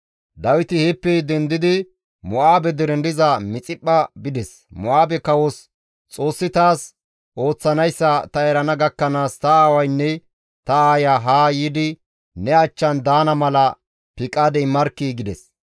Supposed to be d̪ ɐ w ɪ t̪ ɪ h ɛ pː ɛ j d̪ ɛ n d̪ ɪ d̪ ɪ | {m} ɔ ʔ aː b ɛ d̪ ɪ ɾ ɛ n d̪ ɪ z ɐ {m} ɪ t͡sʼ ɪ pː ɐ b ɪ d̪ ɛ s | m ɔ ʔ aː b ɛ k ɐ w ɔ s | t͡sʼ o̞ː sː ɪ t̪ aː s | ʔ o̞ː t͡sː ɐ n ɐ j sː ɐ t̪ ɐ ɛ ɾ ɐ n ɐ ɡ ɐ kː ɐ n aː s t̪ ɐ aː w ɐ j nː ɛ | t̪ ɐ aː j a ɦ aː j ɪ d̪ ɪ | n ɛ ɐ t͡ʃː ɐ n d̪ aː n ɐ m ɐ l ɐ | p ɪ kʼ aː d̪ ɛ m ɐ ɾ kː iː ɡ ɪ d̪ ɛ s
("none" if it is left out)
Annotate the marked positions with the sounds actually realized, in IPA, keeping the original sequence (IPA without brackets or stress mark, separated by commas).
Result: m, m